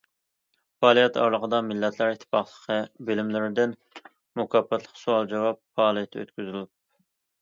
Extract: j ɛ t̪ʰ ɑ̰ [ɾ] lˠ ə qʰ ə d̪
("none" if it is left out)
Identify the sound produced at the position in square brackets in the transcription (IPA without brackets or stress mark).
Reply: ɾ